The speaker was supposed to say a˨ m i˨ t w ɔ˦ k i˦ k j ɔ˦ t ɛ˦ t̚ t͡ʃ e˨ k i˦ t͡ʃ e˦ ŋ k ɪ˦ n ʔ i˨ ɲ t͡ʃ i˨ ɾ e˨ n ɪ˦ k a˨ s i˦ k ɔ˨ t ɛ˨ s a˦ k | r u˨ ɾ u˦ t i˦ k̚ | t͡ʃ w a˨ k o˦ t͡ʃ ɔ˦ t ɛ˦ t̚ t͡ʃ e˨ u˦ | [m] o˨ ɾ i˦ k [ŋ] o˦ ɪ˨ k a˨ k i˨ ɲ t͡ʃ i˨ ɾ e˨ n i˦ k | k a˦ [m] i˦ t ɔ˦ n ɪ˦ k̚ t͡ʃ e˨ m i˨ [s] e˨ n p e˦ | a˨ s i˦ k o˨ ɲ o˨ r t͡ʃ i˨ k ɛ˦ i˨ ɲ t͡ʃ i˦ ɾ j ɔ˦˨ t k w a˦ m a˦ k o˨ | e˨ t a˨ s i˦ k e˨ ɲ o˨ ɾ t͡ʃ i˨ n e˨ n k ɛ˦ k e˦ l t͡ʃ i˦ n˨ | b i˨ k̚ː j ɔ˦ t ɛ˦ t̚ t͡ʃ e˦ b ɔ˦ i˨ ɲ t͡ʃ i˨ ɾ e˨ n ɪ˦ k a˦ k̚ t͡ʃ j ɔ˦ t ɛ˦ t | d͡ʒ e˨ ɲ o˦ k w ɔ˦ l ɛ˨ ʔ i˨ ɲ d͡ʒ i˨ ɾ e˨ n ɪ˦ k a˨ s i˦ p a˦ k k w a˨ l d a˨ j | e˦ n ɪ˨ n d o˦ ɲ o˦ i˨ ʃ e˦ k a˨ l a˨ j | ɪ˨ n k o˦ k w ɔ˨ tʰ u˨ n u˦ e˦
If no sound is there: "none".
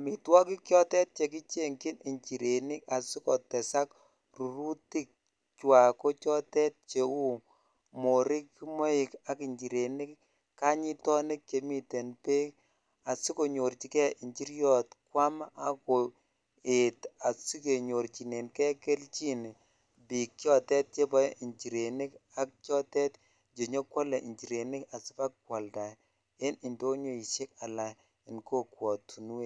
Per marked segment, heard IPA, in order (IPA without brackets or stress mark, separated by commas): m, m, ɲ, t